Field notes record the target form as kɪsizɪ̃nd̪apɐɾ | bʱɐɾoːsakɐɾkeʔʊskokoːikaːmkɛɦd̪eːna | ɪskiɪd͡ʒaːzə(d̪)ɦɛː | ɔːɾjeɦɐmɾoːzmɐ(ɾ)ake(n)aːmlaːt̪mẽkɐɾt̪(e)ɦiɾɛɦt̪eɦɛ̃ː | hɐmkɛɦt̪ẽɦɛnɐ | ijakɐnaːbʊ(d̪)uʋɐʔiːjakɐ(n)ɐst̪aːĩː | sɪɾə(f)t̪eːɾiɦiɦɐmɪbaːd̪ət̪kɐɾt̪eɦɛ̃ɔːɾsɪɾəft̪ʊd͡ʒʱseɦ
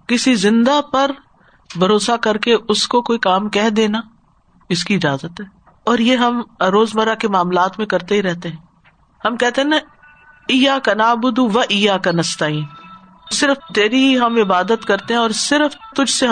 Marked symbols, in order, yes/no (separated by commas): no, yes, no, yes, yes, yes, yes